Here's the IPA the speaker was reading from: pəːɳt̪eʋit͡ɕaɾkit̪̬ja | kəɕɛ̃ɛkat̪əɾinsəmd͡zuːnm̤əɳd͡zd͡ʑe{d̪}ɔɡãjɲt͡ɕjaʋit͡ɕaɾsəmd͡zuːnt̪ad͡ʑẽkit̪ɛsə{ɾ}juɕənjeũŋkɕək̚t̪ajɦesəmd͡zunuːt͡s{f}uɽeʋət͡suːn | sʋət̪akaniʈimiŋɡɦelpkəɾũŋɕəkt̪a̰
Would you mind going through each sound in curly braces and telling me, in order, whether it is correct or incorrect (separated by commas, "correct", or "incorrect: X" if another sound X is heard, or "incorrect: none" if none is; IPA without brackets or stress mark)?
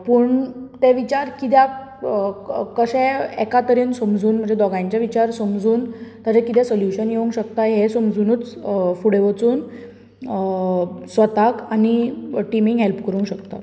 correct, incorrect: l, correct